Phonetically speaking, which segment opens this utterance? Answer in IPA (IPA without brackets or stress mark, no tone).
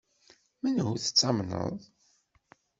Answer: m